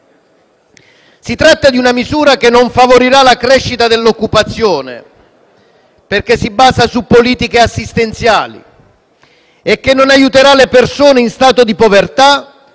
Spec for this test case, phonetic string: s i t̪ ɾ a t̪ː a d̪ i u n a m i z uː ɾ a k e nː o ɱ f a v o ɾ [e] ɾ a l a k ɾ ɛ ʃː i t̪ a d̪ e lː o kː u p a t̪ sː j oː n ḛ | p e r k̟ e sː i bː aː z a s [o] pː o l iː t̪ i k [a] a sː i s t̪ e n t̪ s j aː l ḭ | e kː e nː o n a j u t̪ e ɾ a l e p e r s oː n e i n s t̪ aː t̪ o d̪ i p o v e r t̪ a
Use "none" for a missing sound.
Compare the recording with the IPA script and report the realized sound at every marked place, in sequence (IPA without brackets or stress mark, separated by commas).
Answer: i, u, e